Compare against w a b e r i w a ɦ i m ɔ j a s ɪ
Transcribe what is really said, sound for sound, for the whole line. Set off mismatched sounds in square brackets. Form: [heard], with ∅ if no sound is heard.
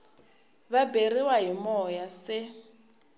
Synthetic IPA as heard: [β] a b e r i w a ɦ i m ɔ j a s ɪ